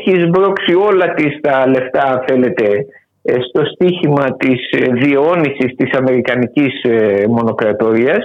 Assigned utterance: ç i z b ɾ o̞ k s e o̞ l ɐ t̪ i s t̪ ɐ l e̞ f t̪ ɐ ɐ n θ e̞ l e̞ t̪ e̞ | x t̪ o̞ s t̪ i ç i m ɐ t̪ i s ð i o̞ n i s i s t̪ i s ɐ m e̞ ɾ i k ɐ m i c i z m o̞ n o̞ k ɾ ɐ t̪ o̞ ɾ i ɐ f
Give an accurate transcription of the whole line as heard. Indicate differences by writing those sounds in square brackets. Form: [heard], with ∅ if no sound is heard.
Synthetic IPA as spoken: ç i z b ɾ o̞ k s [i] o̞ l ɐ t̪ i s t̪ ɐ l e̞ f t̪ ɐ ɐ n θ e̞ l e̞ t̪ e̞ | [s] t̪ o̞ s t̪ i ç i m ɐ t̪ i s ð i o̞ n i s i s t̪ i s ɐ m e̞ ɾ i k ɐ [n] i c i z m o̞ n o̞ k ɾ ɐ t̪ o̞ ɾ i ɐ [s]